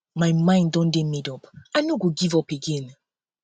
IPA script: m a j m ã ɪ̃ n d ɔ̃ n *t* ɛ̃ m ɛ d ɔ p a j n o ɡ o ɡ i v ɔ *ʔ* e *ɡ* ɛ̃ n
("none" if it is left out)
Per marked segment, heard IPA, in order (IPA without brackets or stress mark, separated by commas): d, p, ɡ